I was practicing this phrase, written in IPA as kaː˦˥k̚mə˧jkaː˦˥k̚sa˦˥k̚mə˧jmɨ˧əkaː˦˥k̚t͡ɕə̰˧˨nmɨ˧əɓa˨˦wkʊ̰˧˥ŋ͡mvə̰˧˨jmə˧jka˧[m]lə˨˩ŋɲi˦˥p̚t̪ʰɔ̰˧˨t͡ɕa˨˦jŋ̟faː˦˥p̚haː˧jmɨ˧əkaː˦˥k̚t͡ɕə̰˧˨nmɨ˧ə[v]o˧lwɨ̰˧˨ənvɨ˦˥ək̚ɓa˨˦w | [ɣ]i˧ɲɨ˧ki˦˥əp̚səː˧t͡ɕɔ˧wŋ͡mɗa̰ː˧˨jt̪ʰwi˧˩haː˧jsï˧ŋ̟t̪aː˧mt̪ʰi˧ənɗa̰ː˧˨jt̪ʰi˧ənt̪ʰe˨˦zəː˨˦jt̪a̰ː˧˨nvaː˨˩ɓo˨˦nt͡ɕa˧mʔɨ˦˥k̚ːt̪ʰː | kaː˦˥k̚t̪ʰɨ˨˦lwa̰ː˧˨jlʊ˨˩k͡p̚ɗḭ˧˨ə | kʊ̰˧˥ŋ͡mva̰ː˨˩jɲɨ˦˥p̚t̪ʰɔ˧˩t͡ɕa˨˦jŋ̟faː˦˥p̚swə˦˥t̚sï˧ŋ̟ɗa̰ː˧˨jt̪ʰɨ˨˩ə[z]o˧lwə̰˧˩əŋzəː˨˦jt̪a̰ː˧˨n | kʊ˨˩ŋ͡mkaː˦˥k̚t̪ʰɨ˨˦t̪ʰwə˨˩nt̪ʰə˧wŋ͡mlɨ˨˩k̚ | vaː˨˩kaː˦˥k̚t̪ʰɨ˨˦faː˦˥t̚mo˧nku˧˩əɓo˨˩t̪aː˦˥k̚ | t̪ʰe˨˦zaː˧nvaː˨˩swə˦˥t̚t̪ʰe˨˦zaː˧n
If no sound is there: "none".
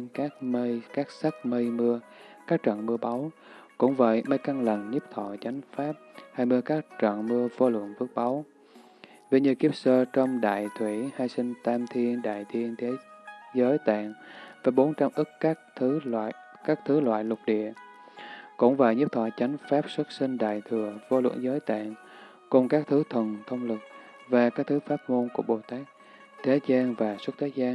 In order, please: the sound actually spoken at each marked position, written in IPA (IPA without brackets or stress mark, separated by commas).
ŋ, v, v, v